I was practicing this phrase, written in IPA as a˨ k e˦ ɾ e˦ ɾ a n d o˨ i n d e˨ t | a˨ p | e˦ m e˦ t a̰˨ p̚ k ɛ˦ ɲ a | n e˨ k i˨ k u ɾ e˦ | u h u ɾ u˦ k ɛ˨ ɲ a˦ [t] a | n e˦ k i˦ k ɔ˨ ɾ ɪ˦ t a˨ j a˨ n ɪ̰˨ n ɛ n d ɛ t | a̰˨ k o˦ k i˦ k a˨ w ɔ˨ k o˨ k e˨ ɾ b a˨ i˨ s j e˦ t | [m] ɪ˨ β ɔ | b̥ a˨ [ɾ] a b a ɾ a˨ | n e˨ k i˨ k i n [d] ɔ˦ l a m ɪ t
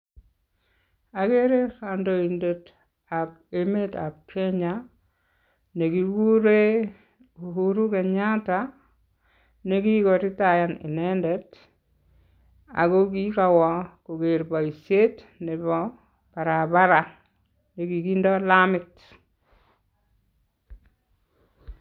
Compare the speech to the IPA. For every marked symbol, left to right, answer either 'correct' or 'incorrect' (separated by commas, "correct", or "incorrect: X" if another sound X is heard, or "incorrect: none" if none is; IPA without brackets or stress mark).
correct, incorrect: n, correct, correct